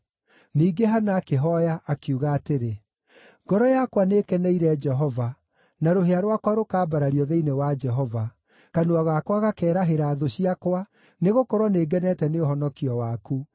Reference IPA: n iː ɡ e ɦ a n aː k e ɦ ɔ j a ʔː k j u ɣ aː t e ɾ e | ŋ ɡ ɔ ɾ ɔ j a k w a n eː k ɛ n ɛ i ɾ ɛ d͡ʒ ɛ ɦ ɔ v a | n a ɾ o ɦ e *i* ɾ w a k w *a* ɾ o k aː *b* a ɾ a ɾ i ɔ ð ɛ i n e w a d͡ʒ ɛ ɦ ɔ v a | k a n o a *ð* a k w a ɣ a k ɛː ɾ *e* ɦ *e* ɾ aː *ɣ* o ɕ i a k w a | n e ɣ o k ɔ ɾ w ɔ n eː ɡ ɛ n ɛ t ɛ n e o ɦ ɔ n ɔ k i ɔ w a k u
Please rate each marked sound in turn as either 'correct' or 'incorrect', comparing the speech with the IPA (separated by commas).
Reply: incorrect, correct, correct, incorrect, incorrect, correct, incorrect